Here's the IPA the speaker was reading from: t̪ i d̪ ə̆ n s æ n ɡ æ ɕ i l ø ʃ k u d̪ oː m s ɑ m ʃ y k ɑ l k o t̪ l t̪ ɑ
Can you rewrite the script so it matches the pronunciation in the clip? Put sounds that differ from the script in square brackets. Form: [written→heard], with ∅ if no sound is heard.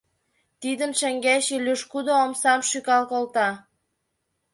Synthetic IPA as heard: t̪ i d̪ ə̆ n [s→ʃ] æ [n→ŋ] ɡ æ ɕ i l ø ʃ k u d̪ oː m s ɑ m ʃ y k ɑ l k o [t̪→∅] l t̪ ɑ